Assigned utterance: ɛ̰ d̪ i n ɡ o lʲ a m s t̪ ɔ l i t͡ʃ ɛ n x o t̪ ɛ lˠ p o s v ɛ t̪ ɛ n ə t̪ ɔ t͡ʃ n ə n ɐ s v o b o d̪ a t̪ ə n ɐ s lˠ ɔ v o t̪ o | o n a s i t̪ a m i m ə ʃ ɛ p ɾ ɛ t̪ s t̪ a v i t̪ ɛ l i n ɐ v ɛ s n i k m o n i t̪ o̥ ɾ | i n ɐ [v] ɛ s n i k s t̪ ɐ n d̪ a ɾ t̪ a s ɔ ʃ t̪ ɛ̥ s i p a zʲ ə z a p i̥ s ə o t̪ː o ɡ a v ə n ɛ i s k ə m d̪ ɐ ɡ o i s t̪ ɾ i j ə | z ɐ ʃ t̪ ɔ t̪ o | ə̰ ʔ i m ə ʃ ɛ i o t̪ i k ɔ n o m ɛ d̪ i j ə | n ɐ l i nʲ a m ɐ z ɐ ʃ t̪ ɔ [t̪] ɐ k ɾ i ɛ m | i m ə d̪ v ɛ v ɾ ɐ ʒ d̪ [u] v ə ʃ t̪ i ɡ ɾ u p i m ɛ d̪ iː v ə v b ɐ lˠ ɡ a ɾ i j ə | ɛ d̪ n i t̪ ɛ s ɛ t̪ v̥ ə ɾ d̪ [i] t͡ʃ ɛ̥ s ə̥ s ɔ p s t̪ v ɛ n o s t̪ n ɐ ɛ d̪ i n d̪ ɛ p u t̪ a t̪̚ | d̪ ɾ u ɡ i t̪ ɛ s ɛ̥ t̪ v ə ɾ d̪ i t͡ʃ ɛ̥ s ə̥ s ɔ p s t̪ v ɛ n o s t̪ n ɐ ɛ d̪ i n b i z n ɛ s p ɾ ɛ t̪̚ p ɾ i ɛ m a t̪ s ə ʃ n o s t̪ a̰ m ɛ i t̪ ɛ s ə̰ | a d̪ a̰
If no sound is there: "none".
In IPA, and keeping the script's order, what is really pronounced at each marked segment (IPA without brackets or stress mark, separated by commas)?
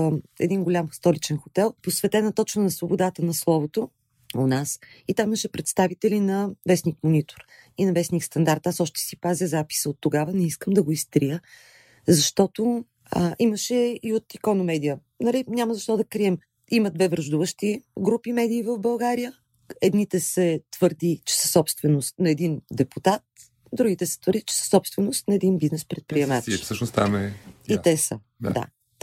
v, d̪, u, i